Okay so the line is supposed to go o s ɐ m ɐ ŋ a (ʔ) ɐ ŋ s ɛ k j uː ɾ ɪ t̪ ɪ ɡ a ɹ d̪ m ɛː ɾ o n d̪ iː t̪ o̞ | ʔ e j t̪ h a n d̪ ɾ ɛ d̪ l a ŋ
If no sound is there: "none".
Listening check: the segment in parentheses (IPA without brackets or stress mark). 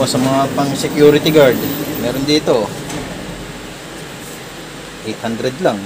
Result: p